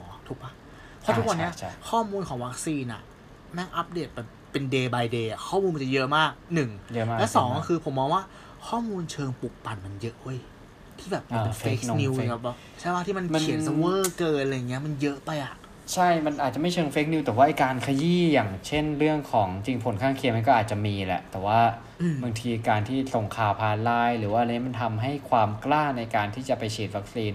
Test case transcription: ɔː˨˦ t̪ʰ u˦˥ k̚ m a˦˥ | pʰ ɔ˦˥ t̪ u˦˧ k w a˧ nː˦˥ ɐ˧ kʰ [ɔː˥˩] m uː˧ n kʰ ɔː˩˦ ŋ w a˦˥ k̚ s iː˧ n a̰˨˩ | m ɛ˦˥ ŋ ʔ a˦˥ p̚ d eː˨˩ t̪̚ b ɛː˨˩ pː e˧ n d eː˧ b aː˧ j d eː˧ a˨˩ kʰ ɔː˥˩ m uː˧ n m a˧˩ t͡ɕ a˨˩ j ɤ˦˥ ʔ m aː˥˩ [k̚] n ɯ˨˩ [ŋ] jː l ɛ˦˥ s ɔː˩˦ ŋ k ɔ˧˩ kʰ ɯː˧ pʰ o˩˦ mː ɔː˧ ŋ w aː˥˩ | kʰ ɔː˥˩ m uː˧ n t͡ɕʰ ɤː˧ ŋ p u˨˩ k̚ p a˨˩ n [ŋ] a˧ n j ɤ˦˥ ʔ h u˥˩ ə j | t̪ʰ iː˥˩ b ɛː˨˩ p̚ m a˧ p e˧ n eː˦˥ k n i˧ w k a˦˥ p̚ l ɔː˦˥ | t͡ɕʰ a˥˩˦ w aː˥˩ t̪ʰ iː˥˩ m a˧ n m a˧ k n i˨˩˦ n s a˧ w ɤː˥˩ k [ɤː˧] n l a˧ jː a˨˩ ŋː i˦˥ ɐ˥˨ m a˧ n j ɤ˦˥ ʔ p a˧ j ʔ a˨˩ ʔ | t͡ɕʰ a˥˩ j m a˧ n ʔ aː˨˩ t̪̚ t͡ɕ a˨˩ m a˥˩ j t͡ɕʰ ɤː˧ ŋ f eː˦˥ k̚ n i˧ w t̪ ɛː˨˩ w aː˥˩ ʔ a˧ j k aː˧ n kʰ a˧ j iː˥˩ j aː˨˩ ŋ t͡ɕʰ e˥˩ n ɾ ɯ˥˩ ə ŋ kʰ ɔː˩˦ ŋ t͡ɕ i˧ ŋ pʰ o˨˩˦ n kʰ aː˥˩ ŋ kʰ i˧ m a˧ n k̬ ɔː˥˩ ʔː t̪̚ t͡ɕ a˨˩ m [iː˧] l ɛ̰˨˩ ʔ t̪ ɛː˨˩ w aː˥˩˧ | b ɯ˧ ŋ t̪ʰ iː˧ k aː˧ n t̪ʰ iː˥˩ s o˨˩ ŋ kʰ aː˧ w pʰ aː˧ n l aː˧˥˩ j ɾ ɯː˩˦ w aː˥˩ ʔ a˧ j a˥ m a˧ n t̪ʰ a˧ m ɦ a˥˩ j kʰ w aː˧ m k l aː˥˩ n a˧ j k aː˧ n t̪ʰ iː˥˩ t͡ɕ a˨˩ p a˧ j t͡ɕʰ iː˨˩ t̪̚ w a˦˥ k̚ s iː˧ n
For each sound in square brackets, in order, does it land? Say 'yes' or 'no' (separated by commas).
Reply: yes, yes, yes, no, yes, yes